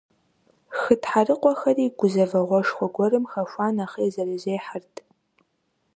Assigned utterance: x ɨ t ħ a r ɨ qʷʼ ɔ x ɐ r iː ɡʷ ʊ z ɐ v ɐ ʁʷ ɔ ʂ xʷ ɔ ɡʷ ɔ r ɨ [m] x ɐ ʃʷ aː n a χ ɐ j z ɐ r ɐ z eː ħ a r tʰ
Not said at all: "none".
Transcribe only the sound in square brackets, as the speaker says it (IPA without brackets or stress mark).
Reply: m